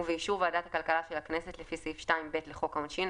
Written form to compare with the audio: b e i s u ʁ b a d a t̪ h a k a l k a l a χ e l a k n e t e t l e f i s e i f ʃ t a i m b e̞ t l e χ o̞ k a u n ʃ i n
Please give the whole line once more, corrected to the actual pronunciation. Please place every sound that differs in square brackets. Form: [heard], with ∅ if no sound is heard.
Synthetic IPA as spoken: [v] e i [ʃ] u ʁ [v] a d a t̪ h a k a l k a l a [ʃ] e l a k n e [s] e t l e f i s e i f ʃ t a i m b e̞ t l e χ o̞ k a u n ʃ i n